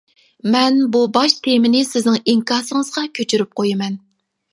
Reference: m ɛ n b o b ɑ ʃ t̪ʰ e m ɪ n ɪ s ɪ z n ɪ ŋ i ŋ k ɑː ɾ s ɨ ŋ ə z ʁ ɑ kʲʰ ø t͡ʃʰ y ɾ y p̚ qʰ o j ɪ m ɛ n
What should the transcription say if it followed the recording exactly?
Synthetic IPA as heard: m ɛ n b u b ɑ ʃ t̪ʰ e m ɪ n ɪ s ɪ z n ɪ ŋ i ŋ k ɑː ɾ s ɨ ŋ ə z ʁ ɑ kʲʰ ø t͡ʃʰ y ɾ y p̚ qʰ o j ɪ m ɛ n